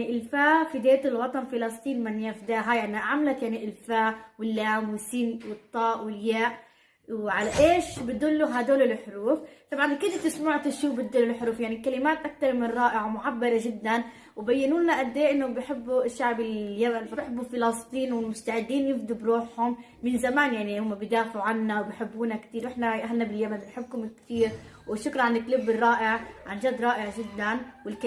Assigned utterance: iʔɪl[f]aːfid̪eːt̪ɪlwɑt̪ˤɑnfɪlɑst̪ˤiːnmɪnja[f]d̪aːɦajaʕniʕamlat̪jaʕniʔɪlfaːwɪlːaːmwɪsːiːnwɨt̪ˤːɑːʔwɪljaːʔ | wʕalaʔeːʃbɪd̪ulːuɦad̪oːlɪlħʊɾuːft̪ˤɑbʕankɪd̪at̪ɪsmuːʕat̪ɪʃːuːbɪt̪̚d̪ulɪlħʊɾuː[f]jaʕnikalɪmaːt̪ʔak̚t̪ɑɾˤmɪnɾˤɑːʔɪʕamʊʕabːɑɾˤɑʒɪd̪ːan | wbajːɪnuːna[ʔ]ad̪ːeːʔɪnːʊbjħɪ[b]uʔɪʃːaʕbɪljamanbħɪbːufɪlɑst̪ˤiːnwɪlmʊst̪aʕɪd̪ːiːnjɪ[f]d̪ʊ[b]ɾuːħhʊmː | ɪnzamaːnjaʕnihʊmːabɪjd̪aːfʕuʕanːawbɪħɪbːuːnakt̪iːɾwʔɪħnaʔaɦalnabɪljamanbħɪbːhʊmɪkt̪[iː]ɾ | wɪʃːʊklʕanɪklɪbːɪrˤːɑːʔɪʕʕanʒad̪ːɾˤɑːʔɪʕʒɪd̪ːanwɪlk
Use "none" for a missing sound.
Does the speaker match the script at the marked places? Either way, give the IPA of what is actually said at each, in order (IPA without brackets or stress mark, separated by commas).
f, f, f, ʔ, bː, f, b, iː